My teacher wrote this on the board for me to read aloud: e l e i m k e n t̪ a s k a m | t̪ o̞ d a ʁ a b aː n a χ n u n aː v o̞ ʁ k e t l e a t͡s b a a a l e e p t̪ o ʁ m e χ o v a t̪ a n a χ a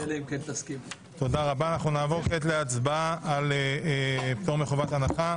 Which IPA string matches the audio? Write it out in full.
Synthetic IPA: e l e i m k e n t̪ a s k i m | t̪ o̞ d a ʁ a b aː n a χ n u n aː v o̞ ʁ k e t l e a t͡s b a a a l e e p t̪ o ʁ m e χ o v a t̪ a n a χ a